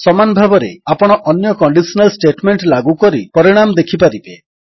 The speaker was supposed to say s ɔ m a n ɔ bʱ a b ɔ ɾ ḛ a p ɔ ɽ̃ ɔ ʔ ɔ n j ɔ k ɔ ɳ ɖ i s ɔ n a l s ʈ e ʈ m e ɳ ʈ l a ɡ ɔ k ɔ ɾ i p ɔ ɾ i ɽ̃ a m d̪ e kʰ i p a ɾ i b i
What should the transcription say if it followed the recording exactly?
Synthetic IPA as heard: s ɔ m a n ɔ bʱ a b ɔ ɾ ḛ a p ɔ ɽ̃ ɔ ʔ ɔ n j ɔ k ɔ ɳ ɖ i s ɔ n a l s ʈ e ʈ m e ɳ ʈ l a ɡ u k ɔ ɾ i p ɔ ɾ i ɽ̃ a m d̪ e kʰ i p a ɾ i b e

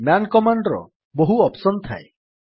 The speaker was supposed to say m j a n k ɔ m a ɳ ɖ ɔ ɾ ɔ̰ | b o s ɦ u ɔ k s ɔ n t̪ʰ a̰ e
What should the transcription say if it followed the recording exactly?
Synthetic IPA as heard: m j a n k ɔ m a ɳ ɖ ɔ ɾ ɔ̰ | b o ɦ u ɔ p s ɔ n t̪ʰ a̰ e

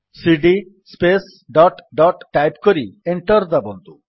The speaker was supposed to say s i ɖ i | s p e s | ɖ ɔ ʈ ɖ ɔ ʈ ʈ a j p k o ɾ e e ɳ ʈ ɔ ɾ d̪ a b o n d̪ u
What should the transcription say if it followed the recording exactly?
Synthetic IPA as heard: s i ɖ i | s p e s | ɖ ɔ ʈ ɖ ɔ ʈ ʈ a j p k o ɾ i e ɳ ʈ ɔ ɾ d̪ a b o n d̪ u

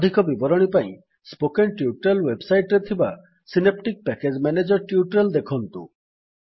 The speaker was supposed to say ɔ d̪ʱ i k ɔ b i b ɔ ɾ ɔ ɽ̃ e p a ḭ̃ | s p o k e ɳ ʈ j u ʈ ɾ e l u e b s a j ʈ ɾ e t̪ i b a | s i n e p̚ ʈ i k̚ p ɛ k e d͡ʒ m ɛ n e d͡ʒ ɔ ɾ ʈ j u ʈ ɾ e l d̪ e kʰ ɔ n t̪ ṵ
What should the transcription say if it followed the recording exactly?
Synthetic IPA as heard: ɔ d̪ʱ i k ɔ b i b ɔ ɾ ɔ ɽ̃ i p a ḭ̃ | s p o k e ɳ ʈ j u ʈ ɾ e l w e b s a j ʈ ɾ e t̪ʰ i b a | s i n e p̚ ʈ i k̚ p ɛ k e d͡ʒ m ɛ n e d͡ʒ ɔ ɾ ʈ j u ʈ ɾ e l d̪ e kʰ ɔ n t̪ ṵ

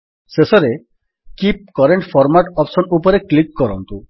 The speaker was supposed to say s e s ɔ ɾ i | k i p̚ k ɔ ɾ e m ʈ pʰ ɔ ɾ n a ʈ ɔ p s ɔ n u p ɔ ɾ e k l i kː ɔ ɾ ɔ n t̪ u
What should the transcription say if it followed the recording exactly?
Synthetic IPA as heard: s e s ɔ ɾ e | k i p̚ k ɔ ɾ e ɳ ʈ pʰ ɔ ɾ m a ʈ ɔ p s ɔ n u p ɔ ɾ e k l i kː ɔ ɾ ɔ n t̪ u

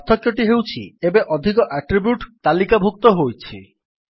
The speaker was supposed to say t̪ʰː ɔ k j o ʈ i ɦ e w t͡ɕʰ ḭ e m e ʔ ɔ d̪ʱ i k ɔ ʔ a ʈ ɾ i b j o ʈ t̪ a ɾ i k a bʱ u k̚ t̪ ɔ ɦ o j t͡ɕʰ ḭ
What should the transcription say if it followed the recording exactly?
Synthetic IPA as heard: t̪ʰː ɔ k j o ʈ i ɦ e w t͡ɕʰ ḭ e b e ʔ ɔ d̪ʱ i k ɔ ʔ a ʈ ɾ i b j u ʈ t̪ a l i k a bʱ u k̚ t̪ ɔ ɦ o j t͡ɕʰ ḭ

